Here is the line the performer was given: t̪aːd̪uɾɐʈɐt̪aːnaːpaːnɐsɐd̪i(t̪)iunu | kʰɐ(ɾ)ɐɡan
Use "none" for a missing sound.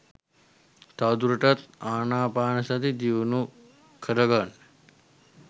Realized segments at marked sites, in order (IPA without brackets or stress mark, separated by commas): d̪, ɾ